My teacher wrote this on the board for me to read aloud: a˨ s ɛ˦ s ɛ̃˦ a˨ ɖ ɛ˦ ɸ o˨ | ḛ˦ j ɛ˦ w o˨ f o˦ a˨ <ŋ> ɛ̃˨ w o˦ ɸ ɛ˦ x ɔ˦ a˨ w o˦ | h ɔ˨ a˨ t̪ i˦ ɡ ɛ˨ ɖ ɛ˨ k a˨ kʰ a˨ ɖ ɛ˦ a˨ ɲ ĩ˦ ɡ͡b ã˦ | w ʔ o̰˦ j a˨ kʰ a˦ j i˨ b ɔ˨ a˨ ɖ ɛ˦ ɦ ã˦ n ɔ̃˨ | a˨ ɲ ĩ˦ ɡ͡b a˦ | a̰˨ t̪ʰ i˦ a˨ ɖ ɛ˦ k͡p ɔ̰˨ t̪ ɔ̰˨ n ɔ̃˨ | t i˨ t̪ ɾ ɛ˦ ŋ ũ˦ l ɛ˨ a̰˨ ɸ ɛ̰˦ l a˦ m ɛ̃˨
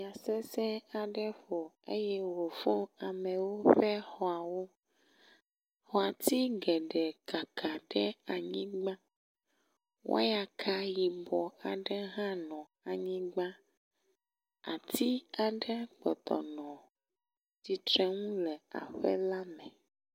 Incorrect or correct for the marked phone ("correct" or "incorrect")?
incorrect